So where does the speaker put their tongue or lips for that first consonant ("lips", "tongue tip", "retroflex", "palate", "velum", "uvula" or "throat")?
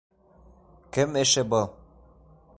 velum